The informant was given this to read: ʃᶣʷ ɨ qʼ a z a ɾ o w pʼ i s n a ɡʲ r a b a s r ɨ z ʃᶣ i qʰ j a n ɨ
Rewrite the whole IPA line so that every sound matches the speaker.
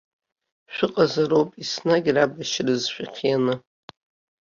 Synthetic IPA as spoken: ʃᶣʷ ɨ qʼ a z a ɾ o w pʼ i s n a ɡʲ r a b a ʃ r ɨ z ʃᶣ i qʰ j a n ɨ